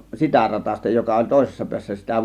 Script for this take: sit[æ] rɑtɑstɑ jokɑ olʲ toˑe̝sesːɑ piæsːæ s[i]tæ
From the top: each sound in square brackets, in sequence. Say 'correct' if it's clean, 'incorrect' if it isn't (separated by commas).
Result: correct, correct